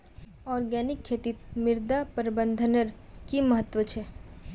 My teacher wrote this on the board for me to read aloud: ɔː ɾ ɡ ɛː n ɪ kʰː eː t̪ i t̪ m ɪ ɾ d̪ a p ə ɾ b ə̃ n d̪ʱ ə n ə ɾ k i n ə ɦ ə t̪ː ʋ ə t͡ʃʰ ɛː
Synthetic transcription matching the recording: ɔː ɾ ɡ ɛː n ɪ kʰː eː t̪ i t̪ m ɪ ɾ d̪ a p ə ɾ b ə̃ n d̪ʱ ə n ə ɾ k i m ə ɦ ə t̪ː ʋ ə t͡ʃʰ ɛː